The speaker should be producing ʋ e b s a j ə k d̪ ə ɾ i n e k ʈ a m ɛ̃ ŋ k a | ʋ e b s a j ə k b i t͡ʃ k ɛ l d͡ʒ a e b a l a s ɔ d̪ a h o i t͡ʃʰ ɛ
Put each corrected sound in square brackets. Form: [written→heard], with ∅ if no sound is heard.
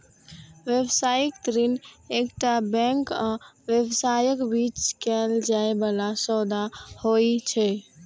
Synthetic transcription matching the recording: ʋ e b s a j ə k [d̪→t̪] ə ɾ i n e k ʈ a [m→b] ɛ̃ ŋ k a | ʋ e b s a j ə k b i t͡ʃ k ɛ l d͡ʒ a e b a l a s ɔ d̪ a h o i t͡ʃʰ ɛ